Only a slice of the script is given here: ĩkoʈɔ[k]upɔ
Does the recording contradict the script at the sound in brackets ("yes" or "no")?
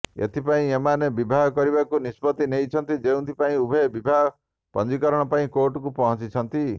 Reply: no